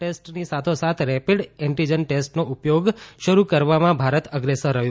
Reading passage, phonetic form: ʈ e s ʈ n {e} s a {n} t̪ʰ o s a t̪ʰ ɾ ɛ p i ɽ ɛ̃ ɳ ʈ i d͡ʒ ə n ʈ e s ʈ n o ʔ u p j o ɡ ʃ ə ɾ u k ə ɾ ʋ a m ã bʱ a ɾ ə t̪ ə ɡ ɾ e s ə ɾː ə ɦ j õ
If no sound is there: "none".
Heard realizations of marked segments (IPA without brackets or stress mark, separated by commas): i, none